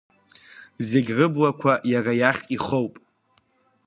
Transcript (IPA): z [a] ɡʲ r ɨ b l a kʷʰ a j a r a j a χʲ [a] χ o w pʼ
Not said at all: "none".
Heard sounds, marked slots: e, i

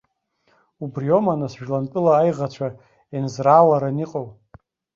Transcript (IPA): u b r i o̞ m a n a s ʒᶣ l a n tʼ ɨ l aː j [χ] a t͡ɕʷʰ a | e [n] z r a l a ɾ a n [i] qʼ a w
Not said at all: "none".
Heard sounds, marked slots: ʁ, n, i

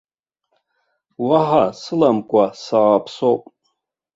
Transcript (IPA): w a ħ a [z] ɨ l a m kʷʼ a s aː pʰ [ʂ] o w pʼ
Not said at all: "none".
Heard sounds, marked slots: s, s

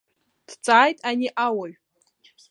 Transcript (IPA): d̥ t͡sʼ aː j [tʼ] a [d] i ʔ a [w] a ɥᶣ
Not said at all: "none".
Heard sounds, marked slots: tʼ, n, w

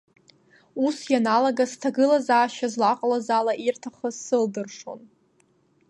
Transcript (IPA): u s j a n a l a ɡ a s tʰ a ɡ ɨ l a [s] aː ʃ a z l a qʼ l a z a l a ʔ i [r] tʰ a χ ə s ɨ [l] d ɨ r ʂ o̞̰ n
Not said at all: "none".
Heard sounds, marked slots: z, r, l

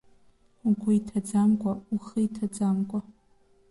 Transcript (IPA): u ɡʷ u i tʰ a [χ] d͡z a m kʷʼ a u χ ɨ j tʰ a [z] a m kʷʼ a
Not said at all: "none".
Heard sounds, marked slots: none, d͡z

